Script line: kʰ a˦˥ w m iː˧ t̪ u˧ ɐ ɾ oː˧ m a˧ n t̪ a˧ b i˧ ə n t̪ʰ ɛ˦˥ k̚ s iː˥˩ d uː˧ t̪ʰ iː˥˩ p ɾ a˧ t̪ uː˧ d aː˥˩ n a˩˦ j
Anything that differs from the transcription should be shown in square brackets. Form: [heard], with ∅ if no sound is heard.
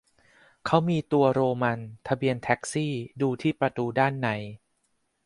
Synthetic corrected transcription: kʰ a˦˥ w m iː˧ t̪ u˧ ɐ ɾ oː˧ m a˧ n [t̪ʰ] a˧ b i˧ ə n t̪ʰ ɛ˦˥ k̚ s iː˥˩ d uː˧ t̪ʰ iː˥˩ p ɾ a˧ t̪ uː˧ d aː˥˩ [nː] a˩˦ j